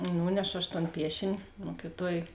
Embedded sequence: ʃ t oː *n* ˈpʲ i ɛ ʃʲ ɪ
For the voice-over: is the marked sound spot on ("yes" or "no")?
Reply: yes